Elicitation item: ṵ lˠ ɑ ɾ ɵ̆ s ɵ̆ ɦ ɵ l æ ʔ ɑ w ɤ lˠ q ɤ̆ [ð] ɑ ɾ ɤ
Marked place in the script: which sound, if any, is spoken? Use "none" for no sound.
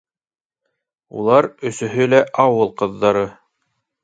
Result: ðː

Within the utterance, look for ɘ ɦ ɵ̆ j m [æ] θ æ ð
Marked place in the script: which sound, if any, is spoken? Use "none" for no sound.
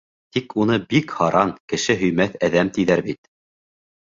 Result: æ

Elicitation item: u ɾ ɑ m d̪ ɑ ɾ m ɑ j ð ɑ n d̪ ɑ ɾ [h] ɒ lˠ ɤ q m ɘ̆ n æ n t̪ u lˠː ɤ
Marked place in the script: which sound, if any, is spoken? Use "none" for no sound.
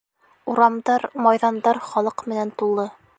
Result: χ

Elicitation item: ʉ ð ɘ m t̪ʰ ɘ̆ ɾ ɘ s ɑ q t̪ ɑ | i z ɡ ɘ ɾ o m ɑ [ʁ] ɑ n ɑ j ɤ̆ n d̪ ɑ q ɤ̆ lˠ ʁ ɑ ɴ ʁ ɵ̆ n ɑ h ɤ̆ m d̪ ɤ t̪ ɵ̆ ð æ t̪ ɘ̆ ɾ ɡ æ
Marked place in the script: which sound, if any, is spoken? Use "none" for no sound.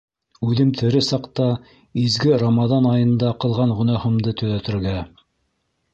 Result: ð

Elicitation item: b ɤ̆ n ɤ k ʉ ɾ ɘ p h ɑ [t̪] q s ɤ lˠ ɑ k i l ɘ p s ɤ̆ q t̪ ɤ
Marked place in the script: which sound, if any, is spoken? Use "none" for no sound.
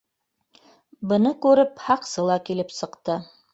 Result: none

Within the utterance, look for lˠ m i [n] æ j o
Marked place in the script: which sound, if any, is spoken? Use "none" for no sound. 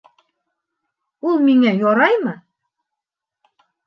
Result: ŋ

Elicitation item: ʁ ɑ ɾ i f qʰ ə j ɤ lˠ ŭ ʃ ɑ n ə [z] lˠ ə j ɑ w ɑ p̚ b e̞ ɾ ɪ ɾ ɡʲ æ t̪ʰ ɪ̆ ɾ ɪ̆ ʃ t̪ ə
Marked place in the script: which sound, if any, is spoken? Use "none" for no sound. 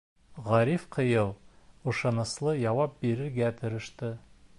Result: s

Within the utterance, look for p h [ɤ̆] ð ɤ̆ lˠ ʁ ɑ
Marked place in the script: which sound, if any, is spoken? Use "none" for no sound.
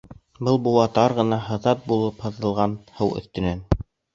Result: ɤ̆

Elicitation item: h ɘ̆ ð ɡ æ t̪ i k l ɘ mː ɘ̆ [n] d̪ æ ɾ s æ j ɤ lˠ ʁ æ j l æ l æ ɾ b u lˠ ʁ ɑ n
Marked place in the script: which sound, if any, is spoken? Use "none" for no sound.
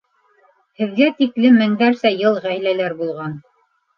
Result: ŋ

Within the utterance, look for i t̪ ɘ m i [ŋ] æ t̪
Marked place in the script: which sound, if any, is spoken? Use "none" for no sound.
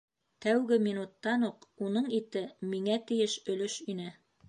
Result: ŋ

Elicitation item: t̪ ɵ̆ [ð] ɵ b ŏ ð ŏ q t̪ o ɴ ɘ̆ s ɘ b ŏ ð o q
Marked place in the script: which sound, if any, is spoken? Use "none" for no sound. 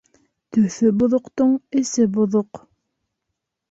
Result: θ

